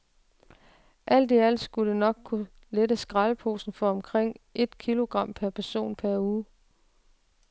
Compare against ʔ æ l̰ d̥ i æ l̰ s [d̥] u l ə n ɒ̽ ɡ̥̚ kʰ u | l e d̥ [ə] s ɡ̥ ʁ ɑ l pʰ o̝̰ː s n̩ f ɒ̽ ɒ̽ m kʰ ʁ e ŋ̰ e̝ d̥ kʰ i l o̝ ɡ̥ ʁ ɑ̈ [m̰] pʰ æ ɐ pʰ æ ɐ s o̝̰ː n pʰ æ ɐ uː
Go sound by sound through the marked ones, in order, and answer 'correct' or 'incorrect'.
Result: incorrect: ɡ̥, correct, correct

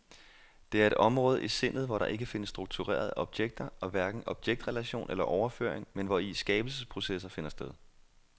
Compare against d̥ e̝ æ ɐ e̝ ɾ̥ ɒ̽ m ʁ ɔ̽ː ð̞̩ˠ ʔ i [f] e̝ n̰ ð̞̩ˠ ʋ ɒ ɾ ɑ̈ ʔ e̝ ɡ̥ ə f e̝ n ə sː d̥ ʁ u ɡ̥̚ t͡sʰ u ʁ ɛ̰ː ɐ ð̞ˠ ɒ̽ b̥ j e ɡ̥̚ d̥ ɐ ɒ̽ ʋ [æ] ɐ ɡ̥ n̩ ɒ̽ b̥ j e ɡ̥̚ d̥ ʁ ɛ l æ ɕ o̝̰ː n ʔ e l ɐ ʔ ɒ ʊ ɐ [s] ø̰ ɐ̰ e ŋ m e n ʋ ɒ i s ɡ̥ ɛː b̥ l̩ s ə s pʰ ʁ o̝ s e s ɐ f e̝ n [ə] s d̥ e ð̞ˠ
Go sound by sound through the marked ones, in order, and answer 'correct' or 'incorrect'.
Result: incorrect: s, correct, incorrect: f, incorrect: ɐ

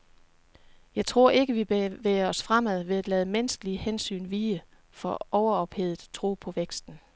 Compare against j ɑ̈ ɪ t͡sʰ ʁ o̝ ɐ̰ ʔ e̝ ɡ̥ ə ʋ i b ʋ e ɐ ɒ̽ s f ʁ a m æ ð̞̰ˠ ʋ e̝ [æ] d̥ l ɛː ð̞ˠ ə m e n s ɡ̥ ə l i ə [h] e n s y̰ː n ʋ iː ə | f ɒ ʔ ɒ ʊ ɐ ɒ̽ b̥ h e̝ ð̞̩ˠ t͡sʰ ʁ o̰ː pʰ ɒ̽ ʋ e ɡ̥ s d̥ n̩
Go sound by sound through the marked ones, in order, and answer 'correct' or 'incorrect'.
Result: correct, correct

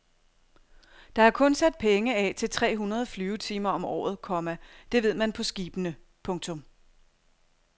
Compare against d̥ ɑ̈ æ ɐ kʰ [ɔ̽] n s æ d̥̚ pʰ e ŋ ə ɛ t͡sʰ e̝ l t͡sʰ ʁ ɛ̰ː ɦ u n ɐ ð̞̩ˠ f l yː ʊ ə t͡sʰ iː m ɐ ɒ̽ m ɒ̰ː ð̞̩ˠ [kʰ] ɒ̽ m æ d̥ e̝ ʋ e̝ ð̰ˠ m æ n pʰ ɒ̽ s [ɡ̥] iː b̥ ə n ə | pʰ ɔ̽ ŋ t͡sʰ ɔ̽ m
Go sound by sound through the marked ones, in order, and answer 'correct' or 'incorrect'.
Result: correct, correct, correct

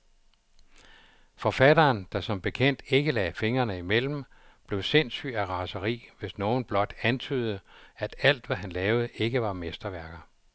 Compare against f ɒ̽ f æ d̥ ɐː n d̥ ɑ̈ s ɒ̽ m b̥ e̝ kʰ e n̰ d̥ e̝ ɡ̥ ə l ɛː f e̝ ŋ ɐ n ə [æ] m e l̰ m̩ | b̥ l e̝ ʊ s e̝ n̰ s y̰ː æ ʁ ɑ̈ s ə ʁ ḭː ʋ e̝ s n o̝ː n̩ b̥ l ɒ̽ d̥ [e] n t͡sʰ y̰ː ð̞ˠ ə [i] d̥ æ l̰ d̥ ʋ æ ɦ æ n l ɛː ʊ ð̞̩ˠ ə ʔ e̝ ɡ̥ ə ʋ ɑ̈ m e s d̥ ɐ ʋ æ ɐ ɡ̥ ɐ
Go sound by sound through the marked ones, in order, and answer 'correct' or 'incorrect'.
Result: incorrect: i, incorrect: æ, incorrect: æ

